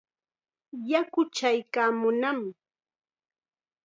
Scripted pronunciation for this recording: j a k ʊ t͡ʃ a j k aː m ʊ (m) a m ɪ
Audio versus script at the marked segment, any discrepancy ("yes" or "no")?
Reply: yes